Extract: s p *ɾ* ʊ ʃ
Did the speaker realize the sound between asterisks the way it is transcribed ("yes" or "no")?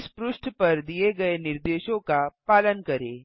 yes